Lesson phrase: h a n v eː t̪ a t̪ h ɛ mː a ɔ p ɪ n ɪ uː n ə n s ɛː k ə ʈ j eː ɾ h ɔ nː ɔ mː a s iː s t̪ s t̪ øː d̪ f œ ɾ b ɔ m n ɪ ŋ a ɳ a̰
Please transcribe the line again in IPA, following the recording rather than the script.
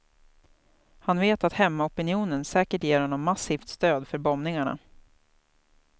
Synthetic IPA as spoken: h a n v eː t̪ a t̪ h ɛ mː a ɔ p ɪ n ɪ uː n ə n s ɛː k ə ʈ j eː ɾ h ɔ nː ɔ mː a s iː f t̪ s t̪ øː d̪ f œ ɾ b ɔ m n ɪ ŋ a ɳ a̰